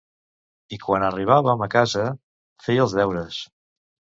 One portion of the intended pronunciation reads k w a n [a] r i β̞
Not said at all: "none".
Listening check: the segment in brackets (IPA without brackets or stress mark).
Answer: ə